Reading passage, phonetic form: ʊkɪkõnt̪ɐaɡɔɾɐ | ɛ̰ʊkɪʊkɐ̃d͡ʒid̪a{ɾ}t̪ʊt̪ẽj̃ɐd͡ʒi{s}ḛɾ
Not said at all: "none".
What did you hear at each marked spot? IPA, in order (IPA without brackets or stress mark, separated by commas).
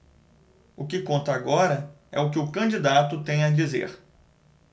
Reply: none, z